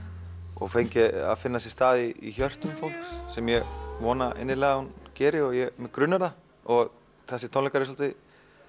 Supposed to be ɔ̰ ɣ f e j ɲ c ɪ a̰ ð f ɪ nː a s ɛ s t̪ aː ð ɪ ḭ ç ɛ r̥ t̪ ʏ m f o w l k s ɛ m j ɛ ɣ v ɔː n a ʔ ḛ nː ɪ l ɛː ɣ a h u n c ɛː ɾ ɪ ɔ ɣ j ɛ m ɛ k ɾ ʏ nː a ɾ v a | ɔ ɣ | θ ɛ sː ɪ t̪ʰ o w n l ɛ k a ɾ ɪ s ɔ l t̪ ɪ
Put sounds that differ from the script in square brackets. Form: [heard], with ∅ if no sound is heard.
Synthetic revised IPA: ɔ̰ ɣ f e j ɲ c ɪ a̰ ð f ɪ nː a s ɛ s t̪ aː ð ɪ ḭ ç [œ] r̥ t̪ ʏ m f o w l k s ɛ m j ɛ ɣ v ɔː n a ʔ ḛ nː ɪ l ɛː ɣ a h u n c ɛː ɾ ɪ ɔ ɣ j ɛ m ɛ k ɾ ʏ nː a ɾ [ð] a | ɔ ɣ | θ ɛ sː ɪ t̪ʰ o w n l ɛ k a ɾ ɪ s ɔ l t̪ ɪ